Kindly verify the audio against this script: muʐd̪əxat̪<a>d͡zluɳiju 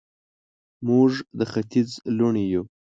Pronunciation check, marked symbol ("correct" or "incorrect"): incorrect